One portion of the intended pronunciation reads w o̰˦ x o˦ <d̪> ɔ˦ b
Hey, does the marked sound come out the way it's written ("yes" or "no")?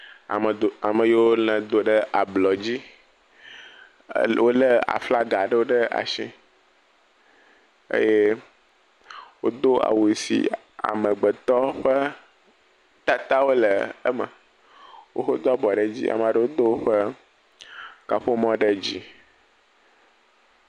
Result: yes